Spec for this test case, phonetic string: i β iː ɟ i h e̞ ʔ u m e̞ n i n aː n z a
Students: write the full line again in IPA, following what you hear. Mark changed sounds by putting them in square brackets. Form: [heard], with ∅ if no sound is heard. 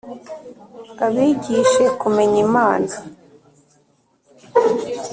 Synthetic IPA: [a] β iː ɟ i [ʃ] e̞ [k] u m e̞ [ɲ] i [m] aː n z a